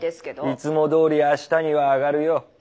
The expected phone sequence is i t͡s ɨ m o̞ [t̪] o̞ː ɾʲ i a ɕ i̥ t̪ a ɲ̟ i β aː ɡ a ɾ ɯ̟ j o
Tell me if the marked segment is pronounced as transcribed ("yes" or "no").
no